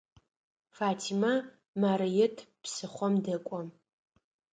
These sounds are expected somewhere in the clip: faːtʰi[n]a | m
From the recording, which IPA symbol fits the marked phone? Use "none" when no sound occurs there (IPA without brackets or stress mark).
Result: m